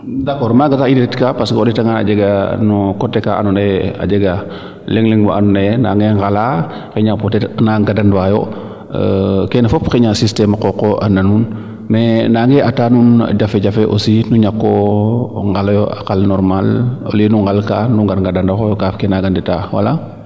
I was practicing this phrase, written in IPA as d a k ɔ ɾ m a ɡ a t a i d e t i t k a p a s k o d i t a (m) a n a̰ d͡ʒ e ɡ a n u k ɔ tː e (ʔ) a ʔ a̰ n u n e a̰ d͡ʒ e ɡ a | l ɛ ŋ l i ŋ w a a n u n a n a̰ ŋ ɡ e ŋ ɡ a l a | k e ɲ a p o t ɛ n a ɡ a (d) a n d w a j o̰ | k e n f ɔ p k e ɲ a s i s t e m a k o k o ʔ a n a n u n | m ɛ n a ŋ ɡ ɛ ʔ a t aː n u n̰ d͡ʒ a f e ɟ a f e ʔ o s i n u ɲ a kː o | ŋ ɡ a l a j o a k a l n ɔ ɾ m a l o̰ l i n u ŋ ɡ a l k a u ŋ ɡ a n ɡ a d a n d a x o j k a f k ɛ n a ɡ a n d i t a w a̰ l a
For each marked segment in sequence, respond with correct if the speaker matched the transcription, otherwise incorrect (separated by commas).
incorrect, incorrect, correct